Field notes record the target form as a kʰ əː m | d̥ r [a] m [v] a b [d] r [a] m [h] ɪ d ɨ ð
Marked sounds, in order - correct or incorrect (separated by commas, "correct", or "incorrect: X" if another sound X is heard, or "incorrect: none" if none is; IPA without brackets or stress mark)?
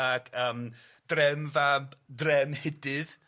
incorrect: ɛ, correct, correct, incorrect: ɛ, correct